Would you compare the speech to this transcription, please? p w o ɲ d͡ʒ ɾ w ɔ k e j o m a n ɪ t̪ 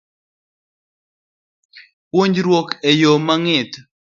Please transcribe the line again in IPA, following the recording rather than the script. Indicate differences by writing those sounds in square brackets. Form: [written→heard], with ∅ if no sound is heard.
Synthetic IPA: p w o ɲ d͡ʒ ɾ w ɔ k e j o m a [n→ŋ] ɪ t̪